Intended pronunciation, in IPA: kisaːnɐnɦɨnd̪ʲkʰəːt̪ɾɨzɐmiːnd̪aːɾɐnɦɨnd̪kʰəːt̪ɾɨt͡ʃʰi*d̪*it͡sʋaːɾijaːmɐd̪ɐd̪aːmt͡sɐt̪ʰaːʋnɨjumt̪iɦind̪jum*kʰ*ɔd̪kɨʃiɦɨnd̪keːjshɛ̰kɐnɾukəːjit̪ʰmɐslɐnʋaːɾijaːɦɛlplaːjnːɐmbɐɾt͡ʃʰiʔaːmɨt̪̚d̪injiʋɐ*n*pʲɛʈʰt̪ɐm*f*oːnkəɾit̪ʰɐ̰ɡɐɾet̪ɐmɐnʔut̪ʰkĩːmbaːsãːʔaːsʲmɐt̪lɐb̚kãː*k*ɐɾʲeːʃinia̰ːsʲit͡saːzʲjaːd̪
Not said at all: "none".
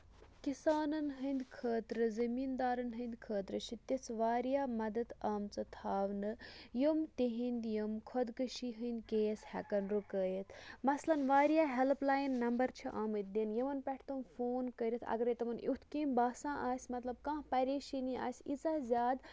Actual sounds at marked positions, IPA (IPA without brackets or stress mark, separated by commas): t̪, kʰ, n, f, p